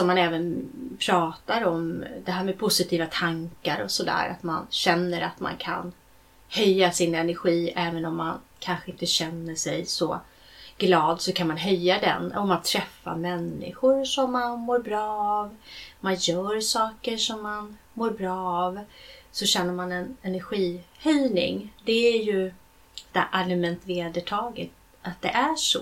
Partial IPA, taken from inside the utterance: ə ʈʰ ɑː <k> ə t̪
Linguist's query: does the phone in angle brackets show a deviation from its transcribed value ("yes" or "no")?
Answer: yes